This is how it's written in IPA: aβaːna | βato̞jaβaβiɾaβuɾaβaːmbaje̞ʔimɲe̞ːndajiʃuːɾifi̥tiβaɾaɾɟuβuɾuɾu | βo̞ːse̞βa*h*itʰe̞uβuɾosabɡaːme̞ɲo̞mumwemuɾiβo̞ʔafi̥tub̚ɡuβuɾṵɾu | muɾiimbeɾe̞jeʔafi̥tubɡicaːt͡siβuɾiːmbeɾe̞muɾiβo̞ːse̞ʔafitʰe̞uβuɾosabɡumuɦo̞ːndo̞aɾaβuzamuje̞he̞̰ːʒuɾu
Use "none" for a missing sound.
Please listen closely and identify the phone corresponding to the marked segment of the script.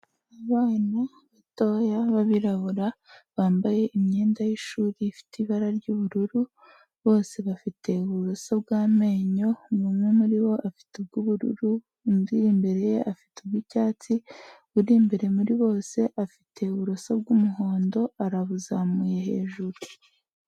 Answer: f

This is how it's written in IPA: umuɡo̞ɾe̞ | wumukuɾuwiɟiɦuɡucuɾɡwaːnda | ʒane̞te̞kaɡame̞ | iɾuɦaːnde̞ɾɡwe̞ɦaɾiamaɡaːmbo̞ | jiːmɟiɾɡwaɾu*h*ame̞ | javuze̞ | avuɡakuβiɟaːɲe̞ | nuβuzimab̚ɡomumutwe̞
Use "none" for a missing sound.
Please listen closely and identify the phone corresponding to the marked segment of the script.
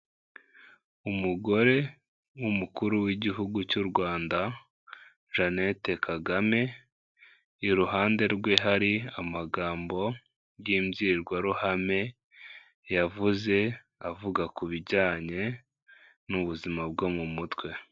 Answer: h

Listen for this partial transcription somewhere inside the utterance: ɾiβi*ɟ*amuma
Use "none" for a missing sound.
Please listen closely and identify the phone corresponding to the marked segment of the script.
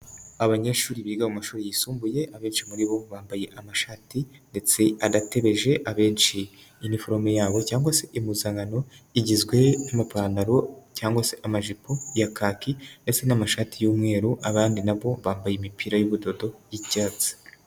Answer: ɡ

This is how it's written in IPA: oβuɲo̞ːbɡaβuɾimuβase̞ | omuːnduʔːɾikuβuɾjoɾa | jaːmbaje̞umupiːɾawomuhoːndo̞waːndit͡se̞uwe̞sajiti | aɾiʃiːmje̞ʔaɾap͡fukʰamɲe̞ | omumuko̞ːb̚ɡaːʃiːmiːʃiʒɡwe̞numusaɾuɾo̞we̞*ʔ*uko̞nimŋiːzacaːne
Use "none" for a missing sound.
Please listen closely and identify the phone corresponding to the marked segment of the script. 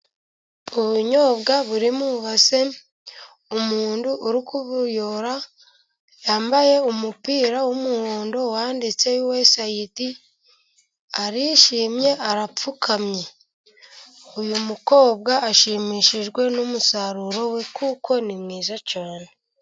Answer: k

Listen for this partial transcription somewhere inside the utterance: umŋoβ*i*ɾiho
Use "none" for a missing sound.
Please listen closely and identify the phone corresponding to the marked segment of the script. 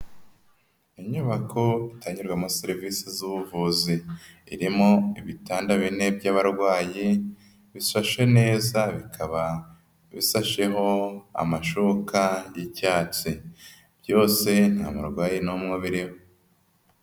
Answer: i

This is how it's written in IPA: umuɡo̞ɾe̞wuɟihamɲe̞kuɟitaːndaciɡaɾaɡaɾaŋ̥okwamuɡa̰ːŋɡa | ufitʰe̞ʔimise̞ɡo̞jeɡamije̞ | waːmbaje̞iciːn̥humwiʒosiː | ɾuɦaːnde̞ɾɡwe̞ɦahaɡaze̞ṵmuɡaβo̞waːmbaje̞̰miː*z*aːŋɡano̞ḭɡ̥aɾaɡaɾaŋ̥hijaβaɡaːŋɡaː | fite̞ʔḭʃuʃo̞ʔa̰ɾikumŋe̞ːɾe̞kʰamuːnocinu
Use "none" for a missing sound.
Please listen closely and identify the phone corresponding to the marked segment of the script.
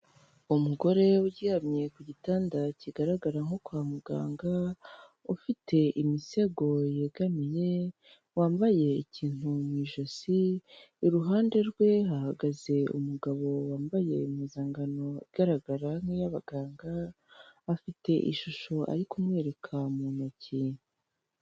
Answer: z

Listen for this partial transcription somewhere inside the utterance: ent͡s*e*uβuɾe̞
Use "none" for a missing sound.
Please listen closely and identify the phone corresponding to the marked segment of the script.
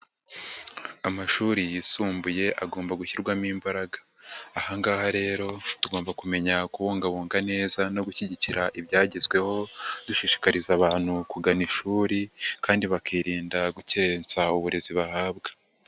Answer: a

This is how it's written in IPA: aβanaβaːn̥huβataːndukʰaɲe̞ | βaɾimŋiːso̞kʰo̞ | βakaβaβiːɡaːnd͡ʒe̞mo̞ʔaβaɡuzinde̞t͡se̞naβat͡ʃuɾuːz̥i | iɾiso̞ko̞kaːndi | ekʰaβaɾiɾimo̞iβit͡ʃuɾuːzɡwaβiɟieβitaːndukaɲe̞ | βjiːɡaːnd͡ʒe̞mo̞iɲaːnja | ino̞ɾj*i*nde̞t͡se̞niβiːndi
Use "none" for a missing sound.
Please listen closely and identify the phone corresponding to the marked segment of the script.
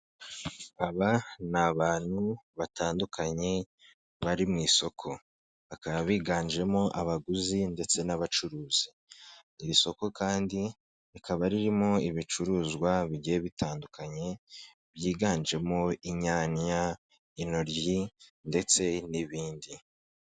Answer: i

